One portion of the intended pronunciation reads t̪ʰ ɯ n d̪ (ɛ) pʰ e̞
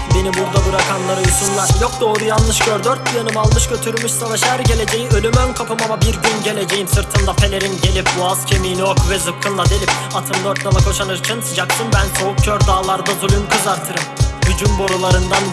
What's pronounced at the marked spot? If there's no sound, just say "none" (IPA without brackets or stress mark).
a